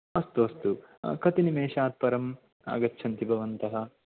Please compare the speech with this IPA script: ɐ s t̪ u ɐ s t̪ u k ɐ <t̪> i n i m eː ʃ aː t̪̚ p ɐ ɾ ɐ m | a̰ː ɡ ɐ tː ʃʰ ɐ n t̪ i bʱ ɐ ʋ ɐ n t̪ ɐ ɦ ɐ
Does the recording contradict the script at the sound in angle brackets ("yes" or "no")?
no